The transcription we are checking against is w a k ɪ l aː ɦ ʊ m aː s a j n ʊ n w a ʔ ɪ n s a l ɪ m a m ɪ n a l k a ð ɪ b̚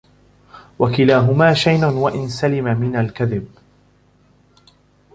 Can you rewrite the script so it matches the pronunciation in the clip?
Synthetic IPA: w a k ɪ l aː ɦ ʊ m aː ʃ a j n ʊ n w a ʔ ɪ n s a l ɪ m a m ɪ n a l k a ð ɪ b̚